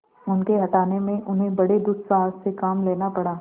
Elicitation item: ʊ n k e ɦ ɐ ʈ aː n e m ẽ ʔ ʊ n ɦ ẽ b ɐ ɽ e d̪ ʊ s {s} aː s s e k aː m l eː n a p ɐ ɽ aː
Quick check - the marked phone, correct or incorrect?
correct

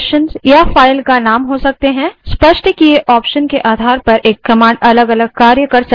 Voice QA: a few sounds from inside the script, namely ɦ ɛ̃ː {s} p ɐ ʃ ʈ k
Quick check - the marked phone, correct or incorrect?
correct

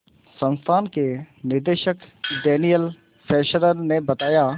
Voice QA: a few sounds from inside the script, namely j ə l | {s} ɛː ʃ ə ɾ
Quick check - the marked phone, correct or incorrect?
incorrect: f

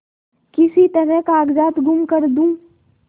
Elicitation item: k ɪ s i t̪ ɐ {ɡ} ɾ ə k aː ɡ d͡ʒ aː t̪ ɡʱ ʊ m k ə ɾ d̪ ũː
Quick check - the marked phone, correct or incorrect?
incorrect: none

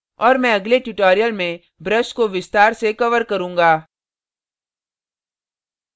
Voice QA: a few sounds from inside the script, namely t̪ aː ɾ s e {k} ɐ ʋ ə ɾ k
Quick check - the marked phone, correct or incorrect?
correct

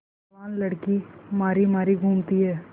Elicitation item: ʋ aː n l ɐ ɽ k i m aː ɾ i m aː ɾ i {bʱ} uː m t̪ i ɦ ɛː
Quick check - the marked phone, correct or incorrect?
incorrect: ɡʱ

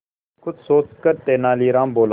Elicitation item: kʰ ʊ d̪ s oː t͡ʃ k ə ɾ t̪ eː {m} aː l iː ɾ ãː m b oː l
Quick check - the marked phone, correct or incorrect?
incorrect: n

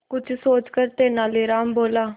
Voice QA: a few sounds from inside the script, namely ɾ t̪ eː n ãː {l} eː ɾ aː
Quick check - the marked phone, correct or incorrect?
correct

